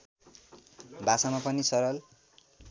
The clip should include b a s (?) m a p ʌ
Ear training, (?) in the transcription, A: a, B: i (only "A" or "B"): A